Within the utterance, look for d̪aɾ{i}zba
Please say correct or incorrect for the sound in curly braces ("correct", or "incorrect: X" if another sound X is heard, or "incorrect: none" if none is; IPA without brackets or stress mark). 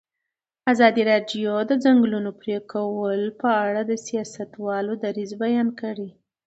correct